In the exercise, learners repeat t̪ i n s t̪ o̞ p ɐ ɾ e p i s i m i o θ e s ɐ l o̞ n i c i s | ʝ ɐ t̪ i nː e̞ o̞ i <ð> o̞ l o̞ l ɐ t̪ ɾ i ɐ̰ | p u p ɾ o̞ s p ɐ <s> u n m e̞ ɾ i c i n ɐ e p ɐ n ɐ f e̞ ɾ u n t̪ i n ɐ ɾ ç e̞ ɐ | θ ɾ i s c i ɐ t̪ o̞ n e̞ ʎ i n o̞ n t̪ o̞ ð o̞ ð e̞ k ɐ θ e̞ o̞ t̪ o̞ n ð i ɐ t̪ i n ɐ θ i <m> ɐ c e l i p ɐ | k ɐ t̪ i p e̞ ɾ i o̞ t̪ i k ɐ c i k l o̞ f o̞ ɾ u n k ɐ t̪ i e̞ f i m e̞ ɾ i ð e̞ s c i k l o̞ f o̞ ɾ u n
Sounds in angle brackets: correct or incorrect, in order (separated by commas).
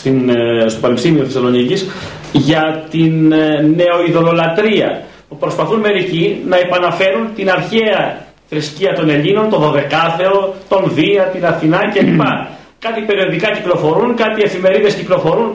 correct, incorrect, incorrect